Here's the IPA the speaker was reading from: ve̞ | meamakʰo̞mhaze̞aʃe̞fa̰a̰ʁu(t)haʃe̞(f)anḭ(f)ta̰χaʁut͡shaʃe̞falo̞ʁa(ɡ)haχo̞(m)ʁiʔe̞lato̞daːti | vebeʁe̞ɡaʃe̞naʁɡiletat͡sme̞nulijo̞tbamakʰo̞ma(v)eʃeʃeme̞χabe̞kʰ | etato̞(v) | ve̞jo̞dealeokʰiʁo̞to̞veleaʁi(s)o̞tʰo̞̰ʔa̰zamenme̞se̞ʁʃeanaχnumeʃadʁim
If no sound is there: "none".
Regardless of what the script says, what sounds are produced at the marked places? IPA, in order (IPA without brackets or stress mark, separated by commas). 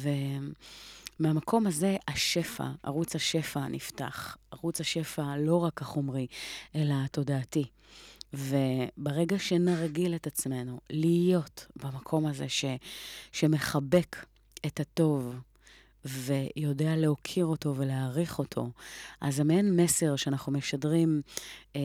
t͡s, f, f, k, m, z, v, χ